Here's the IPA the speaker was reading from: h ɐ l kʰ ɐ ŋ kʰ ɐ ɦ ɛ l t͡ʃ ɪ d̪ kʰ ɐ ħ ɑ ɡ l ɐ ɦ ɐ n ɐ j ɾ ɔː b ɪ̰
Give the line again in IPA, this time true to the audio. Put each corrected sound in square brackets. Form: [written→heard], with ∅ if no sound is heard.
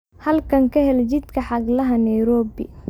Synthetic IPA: h ɐ l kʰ ɐ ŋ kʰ ɐ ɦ ɛ l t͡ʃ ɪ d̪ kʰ ɐ ħ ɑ ɡ l ɐ ɦ ɐ n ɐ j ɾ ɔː b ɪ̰